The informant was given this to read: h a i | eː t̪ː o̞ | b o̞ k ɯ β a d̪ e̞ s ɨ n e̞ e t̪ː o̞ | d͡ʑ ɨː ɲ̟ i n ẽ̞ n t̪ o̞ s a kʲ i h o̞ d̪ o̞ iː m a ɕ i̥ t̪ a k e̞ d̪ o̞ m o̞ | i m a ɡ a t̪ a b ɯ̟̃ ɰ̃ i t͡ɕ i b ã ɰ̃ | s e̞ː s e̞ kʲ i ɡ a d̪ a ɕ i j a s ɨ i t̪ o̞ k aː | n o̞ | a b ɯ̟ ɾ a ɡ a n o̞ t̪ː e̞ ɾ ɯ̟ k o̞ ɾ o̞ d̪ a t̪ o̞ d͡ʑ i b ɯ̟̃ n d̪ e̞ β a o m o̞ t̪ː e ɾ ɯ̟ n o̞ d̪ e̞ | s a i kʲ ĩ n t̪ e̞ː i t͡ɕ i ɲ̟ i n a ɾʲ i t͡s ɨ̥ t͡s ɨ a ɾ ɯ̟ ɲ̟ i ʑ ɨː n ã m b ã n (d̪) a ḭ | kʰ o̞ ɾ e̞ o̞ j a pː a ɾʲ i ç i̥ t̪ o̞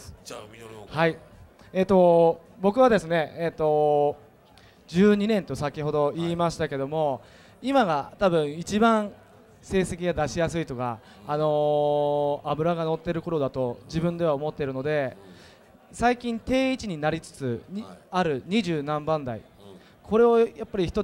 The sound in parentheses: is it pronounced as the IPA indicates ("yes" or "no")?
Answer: yes